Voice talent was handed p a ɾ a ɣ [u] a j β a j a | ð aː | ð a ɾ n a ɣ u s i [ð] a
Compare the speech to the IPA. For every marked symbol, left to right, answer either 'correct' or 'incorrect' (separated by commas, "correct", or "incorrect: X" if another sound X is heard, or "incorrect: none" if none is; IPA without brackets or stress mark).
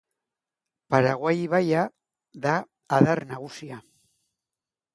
incorrect: w, incorrect: none